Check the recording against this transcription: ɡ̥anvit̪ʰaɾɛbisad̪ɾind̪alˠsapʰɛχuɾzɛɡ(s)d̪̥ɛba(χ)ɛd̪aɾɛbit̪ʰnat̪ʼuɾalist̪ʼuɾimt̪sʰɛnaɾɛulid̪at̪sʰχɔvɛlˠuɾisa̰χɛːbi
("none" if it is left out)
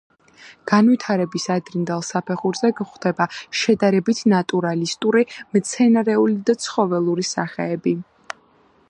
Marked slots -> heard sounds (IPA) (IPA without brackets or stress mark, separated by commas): χ, ʃ